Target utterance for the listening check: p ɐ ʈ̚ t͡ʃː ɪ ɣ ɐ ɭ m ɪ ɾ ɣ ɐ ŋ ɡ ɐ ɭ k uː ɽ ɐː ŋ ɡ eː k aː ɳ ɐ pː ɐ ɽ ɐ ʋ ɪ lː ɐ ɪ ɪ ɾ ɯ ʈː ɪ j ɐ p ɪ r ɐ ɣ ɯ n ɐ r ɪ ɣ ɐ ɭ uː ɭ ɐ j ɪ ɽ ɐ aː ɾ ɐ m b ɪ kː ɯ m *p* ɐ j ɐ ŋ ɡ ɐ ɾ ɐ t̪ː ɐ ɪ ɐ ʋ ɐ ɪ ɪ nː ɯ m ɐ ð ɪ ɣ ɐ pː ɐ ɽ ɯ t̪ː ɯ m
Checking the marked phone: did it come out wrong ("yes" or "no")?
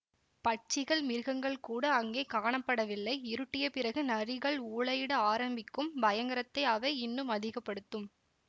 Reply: yes